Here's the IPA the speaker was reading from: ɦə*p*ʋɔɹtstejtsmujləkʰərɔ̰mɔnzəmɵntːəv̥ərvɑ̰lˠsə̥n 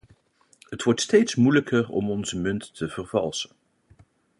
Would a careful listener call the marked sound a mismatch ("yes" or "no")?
yes